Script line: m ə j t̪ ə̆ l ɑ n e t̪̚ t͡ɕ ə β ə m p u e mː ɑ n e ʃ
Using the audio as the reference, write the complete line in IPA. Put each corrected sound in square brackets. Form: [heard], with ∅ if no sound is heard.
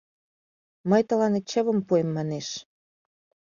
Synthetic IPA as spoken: m ə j t̪ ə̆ l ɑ n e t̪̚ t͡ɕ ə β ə m p u e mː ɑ n e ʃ